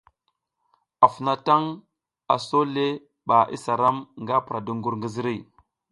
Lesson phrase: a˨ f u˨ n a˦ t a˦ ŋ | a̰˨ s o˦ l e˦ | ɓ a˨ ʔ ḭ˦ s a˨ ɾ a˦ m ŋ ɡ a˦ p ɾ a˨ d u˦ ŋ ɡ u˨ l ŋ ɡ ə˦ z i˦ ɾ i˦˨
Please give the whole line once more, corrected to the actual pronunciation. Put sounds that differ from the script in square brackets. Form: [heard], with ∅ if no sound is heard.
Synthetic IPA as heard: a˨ f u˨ n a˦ t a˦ ŋ | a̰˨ s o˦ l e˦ | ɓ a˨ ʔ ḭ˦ s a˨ ɾ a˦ m ŋ ɡ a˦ p ɾ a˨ d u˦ ŋ ɡ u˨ [ɾ] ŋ ɡ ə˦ z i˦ ɾ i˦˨